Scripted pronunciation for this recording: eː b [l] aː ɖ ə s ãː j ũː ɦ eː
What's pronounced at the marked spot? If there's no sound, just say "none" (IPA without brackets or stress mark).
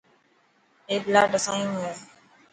l